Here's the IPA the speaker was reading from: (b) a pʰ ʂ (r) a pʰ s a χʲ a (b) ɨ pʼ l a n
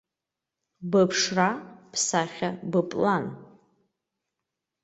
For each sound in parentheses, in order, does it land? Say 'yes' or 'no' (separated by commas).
yes, yes, yes